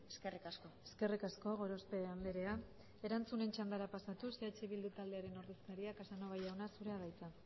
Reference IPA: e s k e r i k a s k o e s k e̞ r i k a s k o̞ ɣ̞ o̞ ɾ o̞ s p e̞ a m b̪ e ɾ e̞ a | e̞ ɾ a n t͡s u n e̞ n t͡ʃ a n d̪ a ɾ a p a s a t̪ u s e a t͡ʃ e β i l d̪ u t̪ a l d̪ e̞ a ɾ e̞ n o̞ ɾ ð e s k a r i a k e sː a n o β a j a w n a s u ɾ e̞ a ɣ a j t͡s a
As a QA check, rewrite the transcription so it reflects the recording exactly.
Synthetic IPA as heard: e s k e r i k a s k o e s k e̞ r i k a s k o̞ ɣ̞ o̞ ɾ o̞ s p e̞ a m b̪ e ɾ e̞ a | e̞ ɾ a n t͡s u n e̞ n t͡ʃ a n d̪ a ɾ a p a s a t̪ u s e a t͡ʃ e β i l d̪ u t̪ a l d̪ e̞ a ɾ e̞ n o̞ ɾ ð e s k a ɾ i a k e s a n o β a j a w n a s u ɾ e̞ a ð a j t͡s a